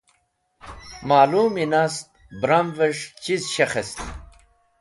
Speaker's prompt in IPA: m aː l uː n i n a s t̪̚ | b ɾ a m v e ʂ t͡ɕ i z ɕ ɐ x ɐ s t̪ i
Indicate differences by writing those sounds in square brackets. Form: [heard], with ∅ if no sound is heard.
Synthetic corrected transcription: m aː l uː [m] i n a s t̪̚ | b ɾ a m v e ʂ t͡ɕ i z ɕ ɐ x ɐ s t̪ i